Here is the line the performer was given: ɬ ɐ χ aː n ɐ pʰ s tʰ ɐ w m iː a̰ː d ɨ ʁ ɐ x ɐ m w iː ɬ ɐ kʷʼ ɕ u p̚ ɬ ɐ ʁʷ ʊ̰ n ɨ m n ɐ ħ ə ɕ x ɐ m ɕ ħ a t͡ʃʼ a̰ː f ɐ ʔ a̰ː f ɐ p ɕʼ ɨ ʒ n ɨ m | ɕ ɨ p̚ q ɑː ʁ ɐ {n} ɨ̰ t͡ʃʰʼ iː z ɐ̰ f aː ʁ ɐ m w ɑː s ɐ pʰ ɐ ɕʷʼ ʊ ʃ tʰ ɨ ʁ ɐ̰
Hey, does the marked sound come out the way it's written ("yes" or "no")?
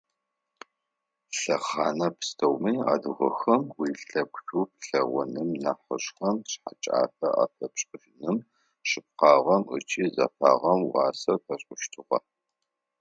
no